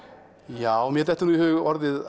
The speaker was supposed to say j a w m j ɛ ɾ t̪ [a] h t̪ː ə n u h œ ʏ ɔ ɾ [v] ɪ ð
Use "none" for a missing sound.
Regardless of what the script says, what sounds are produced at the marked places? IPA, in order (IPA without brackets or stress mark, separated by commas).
ɛ, ð